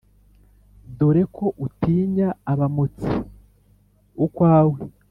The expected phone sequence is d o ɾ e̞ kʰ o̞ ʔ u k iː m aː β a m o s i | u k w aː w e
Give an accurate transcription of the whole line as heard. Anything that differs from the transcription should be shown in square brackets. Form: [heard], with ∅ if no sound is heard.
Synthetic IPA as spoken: d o ɾ e̞ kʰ o̞ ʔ u [t] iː [ɲ] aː β a m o [t͡s] i | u k w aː w e